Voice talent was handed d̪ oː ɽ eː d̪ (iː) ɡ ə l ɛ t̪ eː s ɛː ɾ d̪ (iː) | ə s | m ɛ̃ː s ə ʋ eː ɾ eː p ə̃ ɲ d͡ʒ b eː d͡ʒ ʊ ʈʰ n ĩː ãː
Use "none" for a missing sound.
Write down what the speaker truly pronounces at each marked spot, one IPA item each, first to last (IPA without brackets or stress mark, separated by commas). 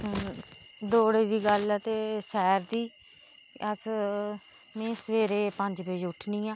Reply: iː, iː